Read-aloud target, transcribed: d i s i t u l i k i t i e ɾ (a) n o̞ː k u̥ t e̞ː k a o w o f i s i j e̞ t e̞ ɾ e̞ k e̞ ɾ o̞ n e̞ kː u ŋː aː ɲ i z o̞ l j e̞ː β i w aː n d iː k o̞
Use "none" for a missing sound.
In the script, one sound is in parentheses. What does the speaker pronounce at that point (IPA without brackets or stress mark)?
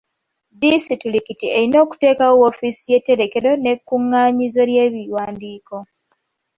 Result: i